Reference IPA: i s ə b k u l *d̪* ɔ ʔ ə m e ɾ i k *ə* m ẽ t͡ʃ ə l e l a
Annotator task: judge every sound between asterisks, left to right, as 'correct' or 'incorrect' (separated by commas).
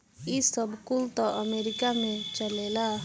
incorrect, incorrect